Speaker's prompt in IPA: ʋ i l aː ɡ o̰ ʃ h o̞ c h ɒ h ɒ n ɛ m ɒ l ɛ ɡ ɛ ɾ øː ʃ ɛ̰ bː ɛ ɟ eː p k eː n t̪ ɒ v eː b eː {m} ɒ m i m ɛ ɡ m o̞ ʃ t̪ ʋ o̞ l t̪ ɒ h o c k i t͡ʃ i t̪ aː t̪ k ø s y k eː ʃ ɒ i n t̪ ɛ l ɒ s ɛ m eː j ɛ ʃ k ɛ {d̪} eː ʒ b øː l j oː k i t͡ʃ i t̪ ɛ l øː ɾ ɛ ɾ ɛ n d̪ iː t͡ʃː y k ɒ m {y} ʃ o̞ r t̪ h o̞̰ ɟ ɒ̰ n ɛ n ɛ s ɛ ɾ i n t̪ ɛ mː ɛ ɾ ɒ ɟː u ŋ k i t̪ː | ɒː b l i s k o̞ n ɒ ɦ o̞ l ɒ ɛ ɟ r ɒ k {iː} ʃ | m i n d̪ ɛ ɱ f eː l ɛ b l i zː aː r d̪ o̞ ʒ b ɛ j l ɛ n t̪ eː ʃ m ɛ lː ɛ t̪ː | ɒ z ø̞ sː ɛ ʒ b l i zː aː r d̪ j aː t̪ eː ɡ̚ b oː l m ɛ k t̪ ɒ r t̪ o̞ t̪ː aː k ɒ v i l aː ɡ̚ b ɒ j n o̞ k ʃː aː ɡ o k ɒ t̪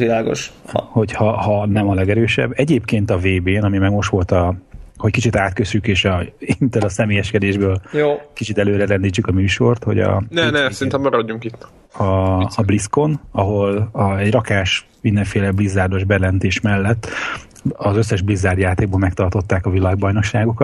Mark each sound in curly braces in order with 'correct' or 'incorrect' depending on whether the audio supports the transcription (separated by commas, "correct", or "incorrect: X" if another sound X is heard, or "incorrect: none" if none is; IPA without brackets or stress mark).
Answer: incorrect: n, correct, incorrect: yː, incorrect: aː